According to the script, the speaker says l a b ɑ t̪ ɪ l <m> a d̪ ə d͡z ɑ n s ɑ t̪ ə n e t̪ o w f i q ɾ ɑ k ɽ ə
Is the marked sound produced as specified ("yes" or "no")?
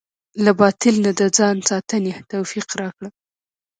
no